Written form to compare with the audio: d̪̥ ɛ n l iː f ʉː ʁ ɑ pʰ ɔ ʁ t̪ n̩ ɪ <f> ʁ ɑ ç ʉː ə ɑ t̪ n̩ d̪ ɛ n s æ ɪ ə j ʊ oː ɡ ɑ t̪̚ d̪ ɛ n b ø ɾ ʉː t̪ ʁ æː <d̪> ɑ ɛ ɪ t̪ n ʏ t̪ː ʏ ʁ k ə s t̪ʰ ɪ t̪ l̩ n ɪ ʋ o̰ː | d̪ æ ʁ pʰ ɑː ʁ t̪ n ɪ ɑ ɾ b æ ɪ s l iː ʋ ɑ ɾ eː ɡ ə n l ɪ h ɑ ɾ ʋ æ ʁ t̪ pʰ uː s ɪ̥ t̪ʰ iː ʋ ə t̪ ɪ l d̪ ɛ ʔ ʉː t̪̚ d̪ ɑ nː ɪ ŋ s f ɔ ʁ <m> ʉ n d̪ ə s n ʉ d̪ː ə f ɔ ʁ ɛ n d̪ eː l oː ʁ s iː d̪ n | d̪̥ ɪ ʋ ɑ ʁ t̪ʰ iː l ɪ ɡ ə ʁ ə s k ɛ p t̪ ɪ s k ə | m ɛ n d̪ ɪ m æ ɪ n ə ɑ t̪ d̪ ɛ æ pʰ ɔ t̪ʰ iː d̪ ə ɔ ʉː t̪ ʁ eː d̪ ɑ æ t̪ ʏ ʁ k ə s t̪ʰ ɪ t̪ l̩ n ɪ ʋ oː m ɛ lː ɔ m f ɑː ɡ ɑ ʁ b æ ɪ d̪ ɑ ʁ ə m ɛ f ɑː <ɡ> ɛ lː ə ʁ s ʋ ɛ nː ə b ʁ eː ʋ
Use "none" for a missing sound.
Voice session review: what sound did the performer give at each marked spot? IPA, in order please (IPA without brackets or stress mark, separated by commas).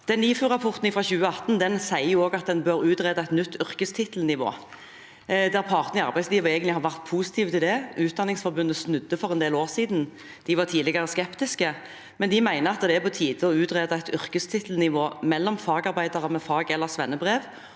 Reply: f, d̪, b, ɡ